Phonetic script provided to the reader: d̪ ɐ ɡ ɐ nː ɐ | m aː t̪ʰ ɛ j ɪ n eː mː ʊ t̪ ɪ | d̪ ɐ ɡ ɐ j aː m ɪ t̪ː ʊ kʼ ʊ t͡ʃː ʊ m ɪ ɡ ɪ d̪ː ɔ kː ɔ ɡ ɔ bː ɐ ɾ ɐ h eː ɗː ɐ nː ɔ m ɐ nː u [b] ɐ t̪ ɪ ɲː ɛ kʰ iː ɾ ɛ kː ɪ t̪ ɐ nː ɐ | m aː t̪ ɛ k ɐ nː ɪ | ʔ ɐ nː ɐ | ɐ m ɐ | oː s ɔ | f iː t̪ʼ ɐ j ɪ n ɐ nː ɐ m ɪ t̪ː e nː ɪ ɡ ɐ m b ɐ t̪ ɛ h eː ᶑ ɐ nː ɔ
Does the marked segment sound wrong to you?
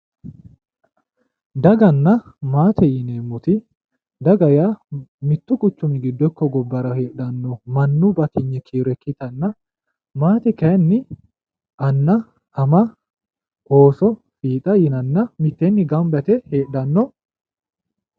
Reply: no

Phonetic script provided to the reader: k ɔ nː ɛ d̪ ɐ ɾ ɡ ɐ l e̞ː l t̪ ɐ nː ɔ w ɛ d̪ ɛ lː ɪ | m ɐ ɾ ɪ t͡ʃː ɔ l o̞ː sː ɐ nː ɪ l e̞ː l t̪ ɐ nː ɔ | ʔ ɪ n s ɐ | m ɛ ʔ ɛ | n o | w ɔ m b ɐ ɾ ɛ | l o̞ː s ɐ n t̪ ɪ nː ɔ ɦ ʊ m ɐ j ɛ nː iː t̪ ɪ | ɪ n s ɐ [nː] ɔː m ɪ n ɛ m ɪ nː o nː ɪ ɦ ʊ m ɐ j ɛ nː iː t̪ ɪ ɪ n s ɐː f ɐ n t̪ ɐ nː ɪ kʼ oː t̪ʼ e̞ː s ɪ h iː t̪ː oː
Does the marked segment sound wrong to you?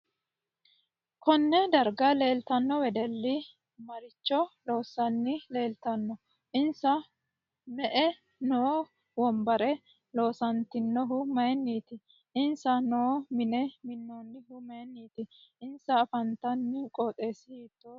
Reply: yes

